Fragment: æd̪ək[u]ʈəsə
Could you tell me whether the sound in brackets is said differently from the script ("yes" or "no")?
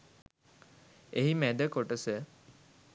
yes